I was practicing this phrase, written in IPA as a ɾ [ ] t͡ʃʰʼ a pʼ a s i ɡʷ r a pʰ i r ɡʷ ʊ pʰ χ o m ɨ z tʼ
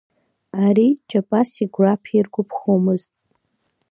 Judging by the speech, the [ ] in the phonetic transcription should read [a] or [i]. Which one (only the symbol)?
i